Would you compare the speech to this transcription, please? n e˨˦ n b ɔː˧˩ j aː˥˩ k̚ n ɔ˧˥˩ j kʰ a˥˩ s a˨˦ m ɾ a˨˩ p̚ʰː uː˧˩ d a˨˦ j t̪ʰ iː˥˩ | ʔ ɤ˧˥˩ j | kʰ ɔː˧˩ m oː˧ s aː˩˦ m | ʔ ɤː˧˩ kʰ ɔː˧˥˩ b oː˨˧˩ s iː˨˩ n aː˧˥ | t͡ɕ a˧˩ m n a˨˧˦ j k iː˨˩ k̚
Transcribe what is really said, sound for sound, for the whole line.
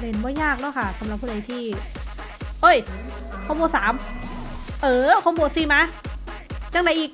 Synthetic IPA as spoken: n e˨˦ n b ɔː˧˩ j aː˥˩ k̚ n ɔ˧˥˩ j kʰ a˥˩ s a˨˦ m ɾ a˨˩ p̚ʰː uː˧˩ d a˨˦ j t̪ʰ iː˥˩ | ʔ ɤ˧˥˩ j | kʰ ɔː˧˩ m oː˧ s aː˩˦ m | ʔ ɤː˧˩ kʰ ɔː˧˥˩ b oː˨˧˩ s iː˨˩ m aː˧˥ | t͡ɕ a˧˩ ŋ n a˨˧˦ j ʔ iː˨˩ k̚

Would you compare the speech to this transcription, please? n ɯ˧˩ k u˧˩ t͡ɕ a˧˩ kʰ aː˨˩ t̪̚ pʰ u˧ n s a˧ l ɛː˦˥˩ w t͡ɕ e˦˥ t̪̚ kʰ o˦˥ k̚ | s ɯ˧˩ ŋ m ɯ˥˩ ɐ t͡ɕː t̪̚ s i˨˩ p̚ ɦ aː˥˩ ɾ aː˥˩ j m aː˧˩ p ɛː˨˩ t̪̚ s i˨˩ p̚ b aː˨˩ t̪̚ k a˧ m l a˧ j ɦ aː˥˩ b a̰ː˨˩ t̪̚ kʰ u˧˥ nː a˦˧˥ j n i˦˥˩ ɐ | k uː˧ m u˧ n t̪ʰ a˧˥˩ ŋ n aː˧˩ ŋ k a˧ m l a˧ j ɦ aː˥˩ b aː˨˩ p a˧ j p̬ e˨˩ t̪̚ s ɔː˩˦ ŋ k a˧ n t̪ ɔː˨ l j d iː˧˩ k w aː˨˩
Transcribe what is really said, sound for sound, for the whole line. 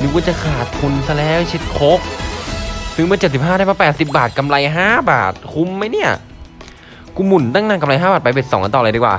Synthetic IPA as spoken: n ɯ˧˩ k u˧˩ t͡ɕ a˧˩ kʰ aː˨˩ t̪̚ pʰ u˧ n s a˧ l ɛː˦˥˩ w t͡ɕʰ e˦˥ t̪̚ kʰ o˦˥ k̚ | s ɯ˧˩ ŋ m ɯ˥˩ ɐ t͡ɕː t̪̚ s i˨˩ p̚ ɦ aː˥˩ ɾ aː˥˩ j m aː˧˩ p ɛː˨˩ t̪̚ s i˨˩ p̚ b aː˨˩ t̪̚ k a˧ m l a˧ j ɦ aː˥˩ b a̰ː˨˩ t̪̚ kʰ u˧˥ mː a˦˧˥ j n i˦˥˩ ɐ | k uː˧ m u˨˩ n t̪ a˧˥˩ ŋ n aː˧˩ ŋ k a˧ m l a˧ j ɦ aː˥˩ b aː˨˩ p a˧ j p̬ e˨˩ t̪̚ s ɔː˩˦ ŋ k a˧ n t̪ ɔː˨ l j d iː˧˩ k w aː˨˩

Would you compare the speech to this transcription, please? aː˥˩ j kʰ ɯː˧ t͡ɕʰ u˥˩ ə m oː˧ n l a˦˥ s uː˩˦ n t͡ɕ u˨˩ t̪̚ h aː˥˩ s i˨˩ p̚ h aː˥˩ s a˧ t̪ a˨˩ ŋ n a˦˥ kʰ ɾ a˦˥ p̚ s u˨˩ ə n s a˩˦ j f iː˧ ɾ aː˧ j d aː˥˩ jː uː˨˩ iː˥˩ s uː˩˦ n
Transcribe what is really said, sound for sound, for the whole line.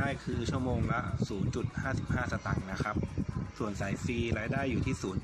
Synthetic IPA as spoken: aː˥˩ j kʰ ɯː˧ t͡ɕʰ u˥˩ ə m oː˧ ŋ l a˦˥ s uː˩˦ n t͡ɕ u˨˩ t̪̚ h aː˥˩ s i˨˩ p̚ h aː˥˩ s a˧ t̪ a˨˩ ŋ n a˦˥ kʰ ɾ a˦˥ p̚ s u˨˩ ə n s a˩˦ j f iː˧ ɾ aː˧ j d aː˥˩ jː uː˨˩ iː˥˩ s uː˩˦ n

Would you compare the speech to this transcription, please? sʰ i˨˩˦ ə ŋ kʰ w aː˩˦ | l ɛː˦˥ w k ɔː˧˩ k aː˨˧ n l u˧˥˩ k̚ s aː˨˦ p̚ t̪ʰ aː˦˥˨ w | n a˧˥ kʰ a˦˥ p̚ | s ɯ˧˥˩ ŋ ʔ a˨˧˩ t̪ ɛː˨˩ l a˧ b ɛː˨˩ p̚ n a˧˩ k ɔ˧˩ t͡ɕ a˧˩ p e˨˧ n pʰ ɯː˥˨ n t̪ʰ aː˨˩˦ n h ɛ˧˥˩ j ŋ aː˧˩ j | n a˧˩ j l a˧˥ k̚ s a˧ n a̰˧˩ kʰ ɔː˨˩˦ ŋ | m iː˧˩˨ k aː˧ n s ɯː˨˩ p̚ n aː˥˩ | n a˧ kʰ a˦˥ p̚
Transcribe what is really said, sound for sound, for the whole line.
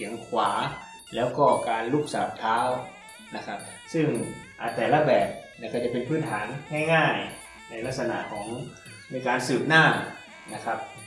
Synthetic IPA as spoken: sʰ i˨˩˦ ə ŋ kʰ w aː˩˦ | l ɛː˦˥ w k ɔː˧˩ k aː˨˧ n l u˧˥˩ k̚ s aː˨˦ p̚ t̪ʰ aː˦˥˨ w | n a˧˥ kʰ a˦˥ p̚ | s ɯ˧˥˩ ŋ ʔ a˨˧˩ t̪ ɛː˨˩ l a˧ b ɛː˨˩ p̚ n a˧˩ k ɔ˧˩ t͡ɕ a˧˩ p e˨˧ n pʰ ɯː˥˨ n t̪ʰ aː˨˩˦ n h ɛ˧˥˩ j ŋ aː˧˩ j | n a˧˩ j l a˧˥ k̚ s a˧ n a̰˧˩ kʰ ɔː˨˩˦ ŋ | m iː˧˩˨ k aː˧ n s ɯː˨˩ p̚ n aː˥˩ | n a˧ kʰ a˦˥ p̚

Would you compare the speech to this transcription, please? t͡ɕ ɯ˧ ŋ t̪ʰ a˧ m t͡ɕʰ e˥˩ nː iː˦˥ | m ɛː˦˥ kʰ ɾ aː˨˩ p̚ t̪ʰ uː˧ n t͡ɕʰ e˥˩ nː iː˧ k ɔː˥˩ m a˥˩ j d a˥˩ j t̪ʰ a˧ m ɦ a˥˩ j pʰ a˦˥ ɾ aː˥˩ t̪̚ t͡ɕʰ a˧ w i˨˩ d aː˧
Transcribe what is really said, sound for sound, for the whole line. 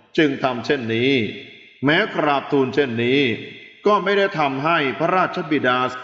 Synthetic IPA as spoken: t͡ɕ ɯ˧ ŋ t̪ʰ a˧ m t͡ɕʰ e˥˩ nː iː˦˥ | m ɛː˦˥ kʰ ɾ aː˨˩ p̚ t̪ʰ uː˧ n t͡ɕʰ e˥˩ nː iː˦˥ k ɔː˥˩ m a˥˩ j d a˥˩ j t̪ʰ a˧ m ɦ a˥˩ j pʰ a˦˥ ɾ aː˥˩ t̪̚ t͡ɕʰ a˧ b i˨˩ d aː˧

